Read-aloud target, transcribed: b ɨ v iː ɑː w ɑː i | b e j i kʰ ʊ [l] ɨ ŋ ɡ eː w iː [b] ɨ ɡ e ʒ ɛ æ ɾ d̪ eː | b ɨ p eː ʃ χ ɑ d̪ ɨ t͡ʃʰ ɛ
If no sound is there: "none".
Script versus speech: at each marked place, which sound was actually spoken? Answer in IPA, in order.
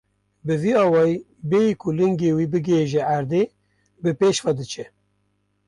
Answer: l, b

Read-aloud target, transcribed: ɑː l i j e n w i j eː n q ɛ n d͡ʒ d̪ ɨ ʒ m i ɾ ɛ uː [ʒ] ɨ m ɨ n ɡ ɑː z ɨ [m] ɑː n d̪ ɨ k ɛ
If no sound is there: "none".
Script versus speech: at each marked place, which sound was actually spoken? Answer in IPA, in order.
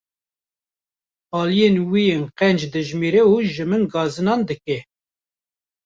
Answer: ʒ, n

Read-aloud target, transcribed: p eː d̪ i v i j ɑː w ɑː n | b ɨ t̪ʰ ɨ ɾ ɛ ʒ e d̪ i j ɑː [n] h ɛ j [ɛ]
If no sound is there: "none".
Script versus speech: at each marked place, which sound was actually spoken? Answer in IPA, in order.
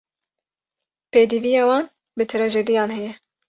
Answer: n, ɛ

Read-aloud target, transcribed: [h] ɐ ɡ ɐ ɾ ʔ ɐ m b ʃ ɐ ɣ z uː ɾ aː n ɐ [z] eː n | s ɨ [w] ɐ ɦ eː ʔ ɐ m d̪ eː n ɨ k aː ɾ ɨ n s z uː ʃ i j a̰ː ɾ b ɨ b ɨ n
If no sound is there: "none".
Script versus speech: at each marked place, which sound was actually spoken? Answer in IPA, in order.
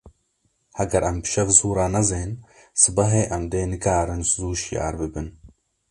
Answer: h, z, b

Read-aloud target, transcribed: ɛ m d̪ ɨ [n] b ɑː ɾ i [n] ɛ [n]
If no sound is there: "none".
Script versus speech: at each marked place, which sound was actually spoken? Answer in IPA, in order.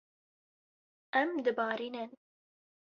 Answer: none, n, n

